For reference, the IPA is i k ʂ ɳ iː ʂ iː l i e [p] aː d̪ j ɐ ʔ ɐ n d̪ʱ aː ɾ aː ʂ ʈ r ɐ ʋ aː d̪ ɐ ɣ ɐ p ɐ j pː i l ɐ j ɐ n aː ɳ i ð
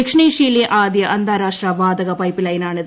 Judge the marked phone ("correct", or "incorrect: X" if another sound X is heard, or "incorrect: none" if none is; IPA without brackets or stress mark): incorrect: ʔ